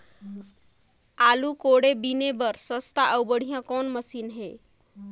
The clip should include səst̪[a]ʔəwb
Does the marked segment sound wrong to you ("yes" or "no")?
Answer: no